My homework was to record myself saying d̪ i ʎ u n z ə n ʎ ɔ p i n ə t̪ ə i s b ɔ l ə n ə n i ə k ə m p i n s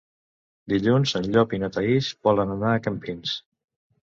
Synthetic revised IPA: d̪ i ʎ u n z ə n ʎ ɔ p i n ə t̪ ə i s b ɔ l ə n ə n a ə k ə m p i n s